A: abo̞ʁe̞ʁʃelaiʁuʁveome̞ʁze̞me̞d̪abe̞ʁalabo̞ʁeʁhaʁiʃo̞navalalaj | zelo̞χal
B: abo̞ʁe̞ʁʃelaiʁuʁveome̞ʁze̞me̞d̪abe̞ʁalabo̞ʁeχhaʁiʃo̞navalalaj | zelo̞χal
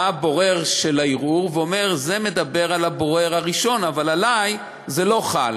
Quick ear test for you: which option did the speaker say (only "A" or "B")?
A